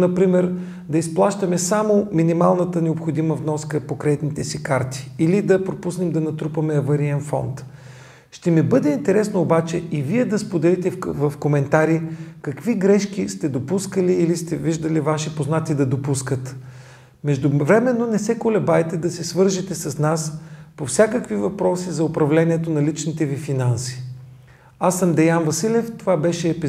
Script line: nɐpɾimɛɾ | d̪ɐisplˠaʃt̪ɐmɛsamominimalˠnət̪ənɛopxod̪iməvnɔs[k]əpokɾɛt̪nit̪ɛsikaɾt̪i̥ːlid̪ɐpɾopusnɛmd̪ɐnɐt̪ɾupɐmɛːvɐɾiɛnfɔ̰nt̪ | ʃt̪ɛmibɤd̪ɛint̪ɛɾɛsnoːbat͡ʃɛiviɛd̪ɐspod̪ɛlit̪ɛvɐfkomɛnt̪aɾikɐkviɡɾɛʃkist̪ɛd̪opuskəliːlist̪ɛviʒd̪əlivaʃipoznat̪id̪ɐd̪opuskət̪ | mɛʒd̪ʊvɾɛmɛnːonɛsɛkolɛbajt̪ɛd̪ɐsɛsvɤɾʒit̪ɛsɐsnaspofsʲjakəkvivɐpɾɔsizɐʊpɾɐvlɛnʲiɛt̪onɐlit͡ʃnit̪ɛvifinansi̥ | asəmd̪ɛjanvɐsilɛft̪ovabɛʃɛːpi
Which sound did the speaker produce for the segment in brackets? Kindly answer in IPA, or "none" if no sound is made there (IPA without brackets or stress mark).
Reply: k